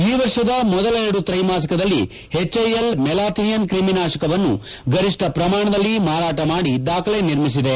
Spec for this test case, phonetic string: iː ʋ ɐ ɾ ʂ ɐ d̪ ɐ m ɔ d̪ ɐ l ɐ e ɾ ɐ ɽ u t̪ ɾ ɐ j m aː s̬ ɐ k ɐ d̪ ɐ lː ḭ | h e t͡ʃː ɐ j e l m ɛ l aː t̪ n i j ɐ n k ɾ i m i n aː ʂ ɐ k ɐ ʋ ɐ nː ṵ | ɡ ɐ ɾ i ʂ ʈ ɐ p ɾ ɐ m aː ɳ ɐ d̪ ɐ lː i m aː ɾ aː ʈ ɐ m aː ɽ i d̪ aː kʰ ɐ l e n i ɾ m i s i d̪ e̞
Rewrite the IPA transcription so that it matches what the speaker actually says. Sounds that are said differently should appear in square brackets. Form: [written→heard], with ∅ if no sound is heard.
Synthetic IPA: iː ʋ ɐ ɾ ʂ ɐ d̪ ɐ m ɔ d̪ ɐ l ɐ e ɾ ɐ ɽ u t̪ ɾ ɐ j m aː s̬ ɐ k ɐ d̪ ɐ lː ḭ | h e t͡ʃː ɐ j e l m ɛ l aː t̪ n i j ɐ n k ɾ i m i n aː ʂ ɐ k ɐ ʋ ɐ nː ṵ | ɡ ɐ ɾ i ʂ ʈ ɐ p ɾ ɐ m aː ɳ ɐ d̪ ɐ lː i m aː ɾ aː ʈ ɐ m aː ɽ i d̪ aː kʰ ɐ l e n i ɾ m i s i d̪ e̞